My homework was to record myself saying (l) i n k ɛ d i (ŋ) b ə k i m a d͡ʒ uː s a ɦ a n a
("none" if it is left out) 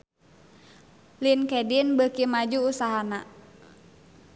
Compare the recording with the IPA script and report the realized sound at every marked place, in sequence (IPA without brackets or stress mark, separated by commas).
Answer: l, n